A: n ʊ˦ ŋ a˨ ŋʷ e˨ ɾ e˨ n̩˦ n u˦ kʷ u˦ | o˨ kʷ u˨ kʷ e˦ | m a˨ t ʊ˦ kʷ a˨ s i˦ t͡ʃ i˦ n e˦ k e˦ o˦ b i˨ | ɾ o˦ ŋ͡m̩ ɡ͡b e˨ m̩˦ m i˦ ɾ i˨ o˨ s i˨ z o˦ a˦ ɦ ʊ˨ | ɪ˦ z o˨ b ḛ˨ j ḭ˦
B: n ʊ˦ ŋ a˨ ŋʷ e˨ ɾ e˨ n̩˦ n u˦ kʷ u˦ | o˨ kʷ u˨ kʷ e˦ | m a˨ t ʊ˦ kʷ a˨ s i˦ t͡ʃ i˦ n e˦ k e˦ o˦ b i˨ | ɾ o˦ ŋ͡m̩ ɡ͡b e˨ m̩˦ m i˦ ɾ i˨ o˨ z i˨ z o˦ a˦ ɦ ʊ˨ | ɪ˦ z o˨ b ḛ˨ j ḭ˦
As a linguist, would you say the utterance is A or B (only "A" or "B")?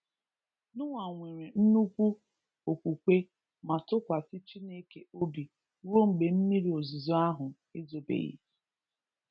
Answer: B